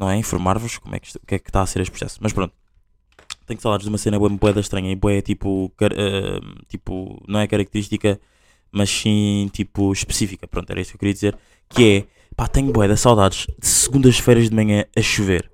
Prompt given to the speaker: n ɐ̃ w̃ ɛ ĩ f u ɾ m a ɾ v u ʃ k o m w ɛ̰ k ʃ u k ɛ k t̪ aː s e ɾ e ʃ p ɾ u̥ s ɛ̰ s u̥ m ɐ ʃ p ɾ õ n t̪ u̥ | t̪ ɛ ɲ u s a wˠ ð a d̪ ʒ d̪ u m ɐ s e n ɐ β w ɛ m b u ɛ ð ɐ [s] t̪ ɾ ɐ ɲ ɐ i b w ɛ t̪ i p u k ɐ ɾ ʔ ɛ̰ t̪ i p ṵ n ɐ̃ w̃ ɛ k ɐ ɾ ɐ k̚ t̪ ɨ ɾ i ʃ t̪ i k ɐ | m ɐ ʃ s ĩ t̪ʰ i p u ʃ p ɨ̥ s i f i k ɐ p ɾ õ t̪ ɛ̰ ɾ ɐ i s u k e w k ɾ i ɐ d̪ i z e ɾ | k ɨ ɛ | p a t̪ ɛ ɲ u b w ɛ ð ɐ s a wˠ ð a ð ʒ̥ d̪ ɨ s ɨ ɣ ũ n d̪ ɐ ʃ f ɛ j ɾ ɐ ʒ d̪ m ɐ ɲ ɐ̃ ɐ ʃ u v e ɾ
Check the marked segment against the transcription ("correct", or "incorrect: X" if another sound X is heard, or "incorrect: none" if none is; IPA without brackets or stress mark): incorrect: ʃ